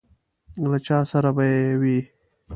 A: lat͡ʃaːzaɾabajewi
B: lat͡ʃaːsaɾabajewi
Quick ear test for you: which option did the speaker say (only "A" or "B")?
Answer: B